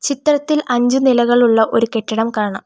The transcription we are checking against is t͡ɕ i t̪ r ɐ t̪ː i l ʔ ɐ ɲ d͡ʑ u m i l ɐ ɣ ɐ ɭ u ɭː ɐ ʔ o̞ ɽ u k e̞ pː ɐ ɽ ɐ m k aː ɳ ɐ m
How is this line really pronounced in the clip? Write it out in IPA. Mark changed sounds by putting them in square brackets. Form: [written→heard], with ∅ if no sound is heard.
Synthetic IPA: t͡ɕ i t̪ r ɐ t̪ː i l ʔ ɐ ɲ d͡ʑ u [m→n] i l ɐ ɣ ɐ ɭ u ɭː ɐ ʔ o̞ [ɽ→ɾ] u k e̞ [pː→ʈː] ɐ ɽ ɐ m k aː ɳ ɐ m